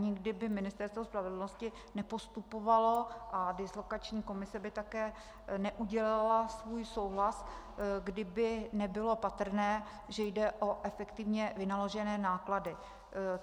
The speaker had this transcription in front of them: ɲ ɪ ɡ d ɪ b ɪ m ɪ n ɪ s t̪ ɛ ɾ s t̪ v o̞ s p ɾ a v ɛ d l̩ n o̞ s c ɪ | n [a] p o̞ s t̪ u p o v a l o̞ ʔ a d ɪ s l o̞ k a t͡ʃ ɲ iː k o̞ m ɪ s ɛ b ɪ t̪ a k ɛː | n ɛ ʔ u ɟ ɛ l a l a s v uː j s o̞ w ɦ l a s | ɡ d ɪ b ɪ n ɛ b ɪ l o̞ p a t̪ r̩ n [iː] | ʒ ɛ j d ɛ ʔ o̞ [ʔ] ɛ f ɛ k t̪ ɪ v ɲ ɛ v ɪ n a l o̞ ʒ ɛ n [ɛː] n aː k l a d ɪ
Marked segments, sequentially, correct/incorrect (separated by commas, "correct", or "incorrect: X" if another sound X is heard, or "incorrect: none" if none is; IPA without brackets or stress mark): incorrect: ɛ, incorrect: ɛː, correct, correct